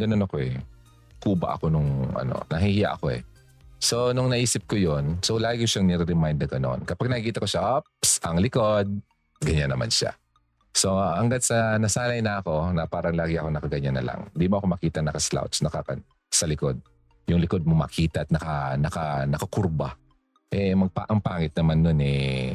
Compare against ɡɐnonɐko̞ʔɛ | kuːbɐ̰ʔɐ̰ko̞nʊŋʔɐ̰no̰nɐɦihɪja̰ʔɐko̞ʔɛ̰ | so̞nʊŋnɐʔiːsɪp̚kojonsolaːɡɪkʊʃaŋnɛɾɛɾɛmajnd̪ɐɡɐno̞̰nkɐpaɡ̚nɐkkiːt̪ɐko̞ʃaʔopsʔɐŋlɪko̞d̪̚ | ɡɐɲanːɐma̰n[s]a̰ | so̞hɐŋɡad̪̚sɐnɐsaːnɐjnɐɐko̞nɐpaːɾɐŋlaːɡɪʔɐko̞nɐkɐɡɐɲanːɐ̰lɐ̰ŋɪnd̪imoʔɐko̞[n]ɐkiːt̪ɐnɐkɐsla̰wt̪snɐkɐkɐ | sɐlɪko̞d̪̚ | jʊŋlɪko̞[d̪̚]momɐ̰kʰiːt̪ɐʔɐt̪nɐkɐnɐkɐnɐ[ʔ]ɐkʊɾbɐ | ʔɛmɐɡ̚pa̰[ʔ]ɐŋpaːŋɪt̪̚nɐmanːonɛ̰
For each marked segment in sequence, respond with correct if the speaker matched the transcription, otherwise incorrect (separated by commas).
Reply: incorrect, incorrect, correct, incorrect, correct